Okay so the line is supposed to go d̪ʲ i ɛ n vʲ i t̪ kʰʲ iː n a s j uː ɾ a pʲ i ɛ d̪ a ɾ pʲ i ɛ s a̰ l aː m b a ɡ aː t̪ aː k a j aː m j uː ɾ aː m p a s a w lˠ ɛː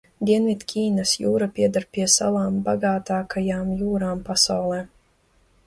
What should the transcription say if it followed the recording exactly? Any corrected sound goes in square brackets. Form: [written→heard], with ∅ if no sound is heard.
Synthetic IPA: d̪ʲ i ɛ n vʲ i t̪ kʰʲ iː n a s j uː ɾ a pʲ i ɛ d̪ a ɾ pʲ i ɛ s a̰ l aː m b a ɡ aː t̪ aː k a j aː m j uː ɾ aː m p a s a w lˠ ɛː

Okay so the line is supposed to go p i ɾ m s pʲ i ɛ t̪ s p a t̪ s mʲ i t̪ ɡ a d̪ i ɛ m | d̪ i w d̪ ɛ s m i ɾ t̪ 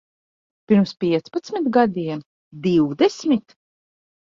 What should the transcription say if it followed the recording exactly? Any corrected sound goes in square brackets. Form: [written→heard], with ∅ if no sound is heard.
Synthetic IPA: p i ɾ m s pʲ i ɛ t̪ s p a t̪ s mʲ i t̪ ɡ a d̪ i ɛ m | d̪ i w d̪ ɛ s m i [ɾ→∅] t̪

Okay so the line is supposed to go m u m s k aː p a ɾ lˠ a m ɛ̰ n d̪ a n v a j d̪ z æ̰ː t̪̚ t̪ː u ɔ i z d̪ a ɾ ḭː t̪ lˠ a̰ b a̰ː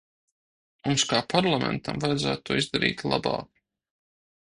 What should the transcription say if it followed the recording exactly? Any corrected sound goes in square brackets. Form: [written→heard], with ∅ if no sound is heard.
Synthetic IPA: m u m s k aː p a ɾ lˠ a m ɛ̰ n [d̪→t̪] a [n→m] v a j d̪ z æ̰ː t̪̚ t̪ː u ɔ i z d̪ a ɾ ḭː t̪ lˠ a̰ b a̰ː

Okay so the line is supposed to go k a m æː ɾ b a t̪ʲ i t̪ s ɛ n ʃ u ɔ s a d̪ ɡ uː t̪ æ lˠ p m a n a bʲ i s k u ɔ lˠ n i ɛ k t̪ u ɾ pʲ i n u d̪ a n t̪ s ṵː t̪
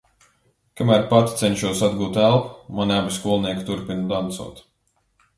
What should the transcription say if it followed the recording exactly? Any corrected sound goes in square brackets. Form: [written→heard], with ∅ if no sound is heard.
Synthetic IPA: k a m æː ɾ [b→p] a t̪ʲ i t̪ s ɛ n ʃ u ɔ s a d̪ ɡ uː t̪ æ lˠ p m a n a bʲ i s k u ɔ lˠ n i ɛ k t̪ u ɾ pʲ i n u d̪ a n t̪ s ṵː t̪

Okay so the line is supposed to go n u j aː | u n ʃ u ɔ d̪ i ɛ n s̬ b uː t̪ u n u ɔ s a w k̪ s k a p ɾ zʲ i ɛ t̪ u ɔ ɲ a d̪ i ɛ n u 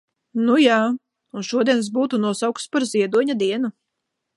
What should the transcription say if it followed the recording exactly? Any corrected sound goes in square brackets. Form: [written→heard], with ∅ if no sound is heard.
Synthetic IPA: n u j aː | u n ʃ u ɔ d̪ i ɛ n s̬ b uː t̪ u n u ɔ s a w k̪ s [k→p] a [p→∅] ɾ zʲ i ɛ [t̪→d̪] u ɔ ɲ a d̪ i ɛ n u

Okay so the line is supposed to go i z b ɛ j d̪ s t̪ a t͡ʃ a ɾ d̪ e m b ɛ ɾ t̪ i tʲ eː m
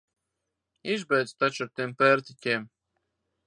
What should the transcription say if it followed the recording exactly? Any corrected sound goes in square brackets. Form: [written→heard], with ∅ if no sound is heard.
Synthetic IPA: i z b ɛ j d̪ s t̪ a t͡ʃ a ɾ [d̪→t̪] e m [b→p] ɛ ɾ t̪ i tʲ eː m

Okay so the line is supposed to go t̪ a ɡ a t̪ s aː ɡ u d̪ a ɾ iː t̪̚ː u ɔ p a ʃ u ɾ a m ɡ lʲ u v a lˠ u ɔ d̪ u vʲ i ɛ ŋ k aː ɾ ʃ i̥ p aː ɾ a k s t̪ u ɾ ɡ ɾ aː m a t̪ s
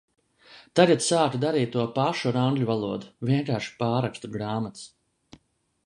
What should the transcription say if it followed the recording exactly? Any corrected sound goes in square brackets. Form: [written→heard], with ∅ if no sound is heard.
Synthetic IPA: t̪ a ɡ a t̪ s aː [ɡ→k] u d̪ a ɾ iː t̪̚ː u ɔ p a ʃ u ɾ a [m→ŋ] ɡ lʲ u v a lˠ u ɔ d̪ u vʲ i ɛ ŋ k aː ɾ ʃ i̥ p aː ɾ a k s t̪ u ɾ ɡ ɾ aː m a t̪ s

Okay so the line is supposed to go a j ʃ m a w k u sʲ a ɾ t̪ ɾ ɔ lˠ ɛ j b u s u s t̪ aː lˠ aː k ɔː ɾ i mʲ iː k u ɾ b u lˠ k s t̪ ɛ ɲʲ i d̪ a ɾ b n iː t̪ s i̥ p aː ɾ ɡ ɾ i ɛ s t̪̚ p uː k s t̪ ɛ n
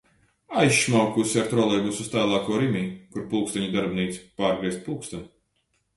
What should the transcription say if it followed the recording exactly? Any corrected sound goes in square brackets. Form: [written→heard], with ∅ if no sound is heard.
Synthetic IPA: a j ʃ m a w k u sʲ a ɾ t̪ ɾ ɔ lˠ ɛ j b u s u s t̪ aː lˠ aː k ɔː ɾ i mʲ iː k u ɾ [b→p] u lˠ k s t̪ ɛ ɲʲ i d̪ a ɾ b n iː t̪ s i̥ p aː ɾ ɡ ɾ i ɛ s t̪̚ p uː k s t̪ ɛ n

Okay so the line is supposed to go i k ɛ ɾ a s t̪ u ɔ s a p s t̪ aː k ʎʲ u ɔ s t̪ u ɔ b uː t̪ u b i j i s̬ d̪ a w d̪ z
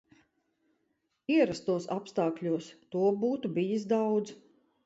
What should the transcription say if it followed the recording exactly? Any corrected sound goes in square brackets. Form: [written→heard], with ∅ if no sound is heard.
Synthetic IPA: i [k→∅] ɛ ɾ a s t̪ u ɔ s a p s t̪ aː k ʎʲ u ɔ s t̪ u ɔ b uː t̪ u b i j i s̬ d̪ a w d̪ z

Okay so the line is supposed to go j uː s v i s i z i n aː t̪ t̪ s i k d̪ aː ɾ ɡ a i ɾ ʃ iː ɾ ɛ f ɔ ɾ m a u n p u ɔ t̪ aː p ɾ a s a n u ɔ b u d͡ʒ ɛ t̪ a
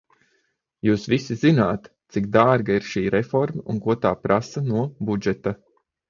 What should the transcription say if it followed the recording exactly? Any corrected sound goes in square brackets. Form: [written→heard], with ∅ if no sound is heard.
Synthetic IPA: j uː s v i s i z i n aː t̪ t̪ s i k d̪ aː ɾ ɡ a i ɾ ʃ iː ɾ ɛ f ɔ ɾ m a u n [p→k] u ɔ t̪ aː p ɾ a s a n u ɔ b u d͡ʒ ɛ t̪ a

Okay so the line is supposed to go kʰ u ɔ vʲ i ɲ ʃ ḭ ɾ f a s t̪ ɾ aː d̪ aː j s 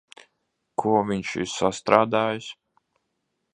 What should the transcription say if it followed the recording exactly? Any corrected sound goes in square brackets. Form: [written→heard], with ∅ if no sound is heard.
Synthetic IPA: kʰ u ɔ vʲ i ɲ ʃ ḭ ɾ [f→s] a s t̪ ɾ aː d̪ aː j s

